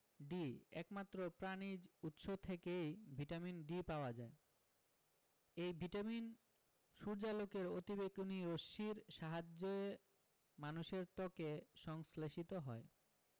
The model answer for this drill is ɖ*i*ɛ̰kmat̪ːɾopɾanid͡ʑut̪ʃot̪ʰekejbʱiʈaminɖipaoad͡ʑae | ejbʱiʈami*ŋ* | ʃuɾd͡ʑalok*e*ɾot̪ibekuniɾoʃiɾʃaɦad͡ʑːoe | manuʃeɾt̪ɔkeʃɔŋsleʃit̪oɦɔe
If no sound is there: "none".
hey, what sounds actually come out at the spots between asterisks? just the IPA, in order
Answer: i, n, e

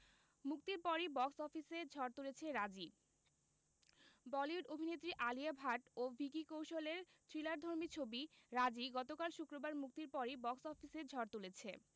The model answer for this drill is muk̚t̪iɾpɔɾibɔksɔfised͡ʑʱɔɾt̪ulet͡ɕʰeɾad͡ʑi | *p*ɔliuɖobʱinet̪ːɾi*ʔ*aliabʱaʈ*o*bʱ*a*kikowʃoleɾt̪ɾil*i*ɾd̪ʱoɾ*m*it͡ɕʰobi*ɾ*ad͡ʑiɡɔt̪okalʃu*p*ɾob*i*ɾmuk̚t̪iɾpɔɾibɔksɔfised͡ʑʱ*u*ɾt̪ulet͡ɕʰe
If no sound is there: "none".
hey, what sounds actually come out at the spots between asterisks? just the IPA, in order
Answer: b, ʔ, o, i, a, m, ɾ, k, a, ɔ

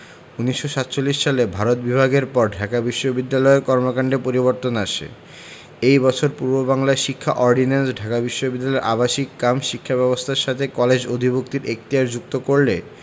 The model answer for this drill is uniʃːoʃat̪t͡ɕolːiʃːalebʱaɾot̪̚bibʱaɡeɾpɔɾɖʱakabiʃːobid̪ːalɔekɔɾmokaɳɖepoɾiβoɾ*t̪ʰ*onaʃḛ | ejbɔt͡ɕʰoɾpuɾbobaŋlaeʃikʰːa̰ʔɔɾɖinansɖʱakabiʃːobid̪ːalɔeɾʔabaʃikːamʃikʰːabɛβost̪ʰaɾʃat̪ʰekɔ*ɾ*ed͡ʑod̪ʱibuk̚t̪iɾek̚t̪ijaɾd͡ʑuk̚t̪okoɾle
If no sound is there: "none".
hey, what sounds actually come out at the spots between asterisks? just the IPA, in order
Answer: t̪, l

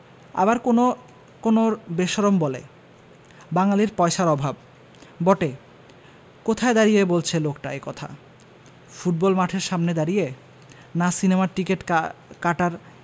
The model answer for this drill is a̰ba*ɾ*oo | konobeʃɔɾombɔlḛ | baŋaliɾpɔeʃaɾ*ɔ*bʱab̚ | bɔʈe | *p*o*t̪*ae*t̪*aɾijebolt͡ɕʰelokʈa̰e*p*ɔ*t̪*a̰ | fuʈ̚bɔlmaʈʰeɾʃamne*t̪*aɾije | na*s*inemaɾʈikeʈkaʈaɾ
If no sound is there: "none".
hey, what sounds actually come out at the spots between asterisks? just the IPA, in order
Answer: ɾ, ɔ, k, t̪ʰ, d̪, k, t̪ʰ, d̪, s

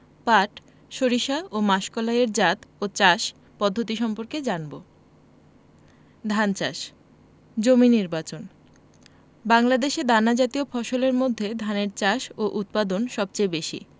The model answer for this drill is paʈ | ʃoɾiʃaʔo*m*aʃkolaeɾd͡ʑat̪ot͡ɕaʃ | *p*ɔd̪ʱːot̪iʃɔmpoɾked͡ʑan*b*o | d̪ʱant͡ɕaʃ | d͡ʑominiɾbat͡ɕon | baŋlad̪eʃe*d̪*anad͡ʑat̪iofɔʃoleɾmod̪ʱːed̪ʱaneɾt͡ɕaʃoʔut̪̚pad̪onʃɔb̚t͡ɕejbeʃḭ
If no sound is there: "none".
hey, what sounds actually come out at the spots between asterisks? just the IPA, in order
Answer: m, p, b, d̪

